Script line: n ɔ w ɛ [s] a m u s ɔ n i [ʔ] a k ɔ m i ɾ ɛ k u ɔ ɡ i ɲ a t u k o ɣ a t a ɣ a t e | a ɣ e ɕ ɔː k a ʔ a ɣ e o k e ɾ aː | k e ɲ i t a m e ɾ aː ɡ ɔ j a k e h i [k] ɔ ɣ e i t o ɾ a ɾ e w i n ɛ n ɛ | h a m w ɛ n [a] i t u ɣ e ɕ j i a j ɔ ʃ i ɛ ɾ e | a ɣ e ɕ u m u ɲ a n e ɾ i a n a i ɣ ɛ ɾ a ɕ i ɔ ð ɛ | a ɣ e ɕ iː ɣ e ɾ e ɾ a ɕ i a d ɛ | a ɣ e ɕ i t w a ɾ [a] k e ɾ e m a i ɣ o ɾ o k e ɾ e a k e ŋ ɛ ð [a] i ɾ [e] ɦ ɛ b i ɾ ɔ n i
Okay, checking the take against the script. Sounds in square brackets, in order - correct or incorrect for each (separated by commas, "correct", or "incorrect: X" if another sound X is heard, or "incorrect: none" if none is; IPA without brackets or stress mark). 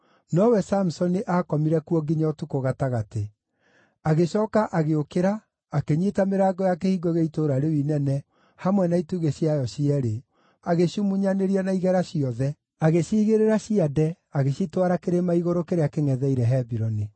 correct, correct, incorrect: ɡ, correct, correct, incorrect: ɛ, incorrect: ɛ